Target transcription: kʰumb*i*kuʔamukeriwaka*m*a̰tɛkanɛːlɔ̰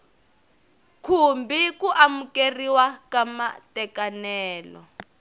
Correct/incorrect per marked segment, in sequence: correct, correct

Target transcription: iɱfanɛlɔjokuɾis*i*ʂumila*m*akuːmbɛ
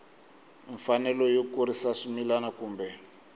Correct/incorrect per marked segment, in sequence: incorrect, incorrect

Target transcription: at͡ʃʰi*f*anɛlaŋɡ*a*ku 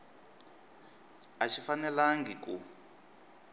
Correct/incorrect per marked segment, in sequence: correct, incorrect

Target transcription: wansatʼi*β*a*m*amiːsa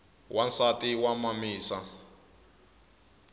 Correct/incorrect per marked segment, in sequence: incorrect, correct

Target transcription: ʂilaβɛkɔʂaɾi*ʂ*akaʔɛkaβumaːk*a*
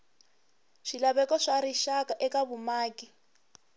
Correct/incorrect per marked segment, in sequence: incorrect, incorrect

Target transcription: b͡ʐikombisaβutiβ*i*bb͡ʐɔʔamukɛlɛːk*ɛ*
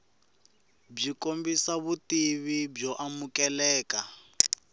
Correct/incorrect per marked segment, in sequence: correct, incorrect

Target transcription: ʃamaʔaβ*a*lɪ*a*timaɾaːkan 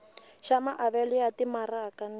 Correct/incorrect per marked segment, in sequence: incorrect, correct

